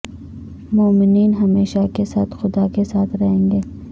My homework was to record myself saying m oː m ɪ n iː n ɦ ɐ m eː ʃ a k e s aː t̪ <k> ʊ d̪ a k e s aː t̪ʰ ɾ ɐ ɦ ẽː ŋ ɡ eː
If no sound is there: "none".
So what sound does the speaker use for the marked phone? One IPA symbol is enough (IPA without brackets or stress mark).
x